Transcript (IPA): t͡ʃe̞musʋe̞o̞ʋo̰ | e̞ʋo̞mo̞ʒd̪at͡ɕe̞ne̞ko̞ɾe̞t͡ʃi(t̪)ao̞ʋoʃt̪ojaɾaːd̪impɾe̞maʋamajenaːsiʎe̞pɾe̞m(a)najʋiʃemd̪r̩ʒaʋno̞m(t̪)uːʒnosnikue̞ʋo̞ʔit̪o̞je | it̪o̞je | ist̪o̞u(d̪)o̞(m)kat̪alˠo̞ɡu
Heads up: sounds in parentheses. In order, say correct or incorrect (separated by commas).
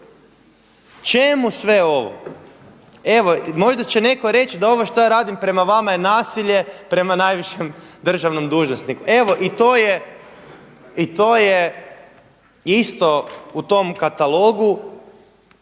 incorrect, correct, incorrect, incorrect, correct